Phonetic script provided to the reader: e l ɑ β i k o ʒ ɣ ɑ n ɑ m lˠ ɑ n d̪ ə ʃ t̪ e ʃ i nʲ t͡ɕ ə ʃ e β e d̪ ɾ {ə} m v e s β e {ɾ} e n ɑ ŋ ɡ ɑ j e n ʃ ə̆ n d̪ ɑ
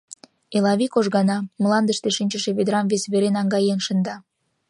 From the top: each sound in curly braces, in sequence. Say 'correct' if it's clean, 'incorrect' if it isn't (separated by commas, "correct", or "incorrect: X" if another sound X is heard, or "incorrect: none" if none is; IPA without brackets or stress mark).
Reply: incorrect: ɑ, correct